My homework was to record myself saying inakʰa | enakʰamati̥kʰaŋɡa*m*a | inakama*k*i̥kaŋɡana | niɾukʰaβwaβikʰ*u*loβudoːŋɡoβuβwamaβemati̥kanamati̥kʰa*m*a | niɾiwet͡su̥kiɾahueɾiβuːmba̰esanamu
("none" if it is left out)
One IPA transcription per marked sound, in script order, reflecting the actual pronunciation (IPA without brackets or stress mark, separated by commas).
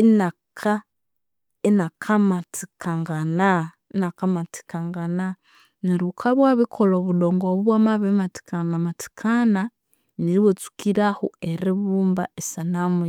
n, t, o, n